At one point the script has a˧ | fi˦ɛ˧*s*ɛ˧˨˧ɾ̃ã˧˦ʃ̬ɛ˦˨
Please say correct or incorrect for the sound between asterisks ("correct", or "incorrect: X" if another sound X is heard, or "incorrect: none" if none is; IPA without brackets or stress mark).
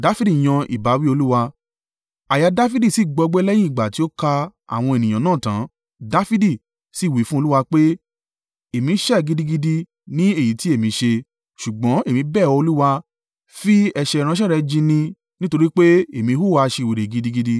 incorrect: ʃ